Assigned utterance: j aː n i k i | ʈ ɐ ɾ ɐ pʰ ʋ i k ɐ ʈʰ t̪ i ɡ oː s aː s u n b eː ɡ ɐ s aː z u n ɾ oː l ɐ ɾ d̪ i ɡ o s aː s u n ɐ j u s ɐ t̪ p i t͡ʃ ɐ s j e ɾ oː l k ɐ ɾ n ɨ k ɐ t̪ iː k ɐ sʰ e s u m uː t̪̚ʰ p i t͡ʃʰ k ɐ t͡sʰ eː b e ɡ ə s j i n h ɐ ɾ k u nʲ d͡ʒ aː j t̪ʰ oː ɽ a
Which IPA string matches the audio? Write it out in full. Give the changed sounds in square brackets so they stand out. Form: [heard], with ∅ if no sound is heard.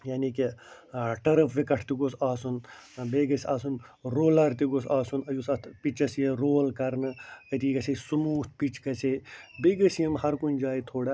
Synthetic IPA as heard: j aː n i k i | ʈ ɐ ɾ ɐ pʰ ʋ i k ɐ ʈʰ t̪ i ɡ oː s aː s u n b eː ɡ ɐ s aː [s] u n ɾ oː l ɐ ɾ [t̪] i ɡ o s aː s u n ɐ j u s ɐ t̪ p i t͡ʃ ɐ s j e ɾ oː l k ɐ ɾ n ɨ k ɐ t̪ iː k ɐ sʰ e s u m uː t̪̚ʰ p i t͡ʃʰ k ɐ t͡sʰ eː b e ɡ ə s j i [m] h ɐ ɾ k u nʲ d͡ʒ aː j t̪ʰ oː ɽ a